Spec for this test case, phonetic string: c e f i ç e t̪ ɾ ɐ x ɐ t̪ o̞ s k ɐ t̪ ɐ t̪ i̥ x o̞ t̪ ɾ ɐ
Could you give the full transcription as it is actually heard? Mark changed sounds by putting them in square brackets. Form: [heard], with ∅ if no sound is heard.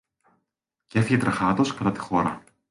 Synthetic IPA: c e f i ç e t̪ ɾ ɐ x ɐ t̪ o̞ s k ɐ t̪ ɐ t̪ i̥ x o̞ [∅] ɾ ɐ